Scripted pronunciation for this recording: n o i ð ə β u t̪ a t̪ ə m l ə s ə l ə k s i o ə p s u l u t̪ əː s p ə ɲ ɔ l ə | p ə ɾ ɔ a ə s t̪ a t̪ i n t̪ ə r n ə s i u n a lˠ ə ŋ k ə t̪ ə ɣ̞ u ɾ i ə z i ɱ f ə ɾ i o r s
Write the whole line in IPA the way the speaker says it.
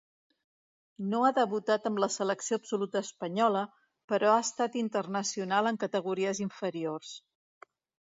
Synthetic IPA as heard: n o a ð ə β u t̪ a t̪ ə m l ə s ə l ə k s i o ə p s u l u t̪ əː s p ə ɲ ɔ l ə | p ə ɾ ɔ a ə s t̪ a t̪ i n t̪ ə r n ə s i u n a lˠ ə ŋ k ə t̪ ə ɣ̞ u ɾ i ə z i ɱ f ə ɾ i o r s